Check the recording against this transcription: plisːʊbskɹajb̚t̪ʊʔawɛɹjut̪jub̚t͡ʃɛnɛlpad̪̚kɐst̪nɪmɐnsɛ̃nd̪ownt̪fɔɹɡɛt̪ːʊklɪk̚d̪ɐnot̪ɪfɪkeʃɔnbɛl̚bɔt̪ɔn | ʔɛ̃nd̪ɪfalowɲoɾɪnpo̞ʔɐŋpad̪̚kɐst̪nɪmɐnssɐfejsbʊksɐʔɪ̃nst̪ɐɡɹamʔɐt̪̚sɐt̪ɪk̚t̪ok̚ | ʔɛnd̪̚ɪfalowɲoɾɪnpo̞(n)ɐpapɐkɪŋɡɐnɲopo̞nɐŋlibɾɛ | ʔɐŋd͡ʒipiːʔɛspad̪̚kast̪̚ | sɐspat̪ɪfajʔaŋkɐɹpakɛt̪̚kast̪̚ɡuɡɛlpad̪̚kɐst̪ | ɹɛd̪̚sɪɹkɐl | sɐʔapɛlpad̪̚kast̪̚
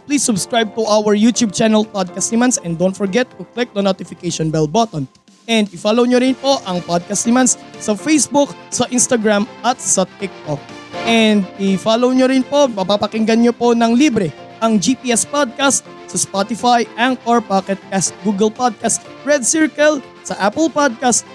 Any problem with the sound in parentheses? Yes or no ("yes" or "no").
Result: yes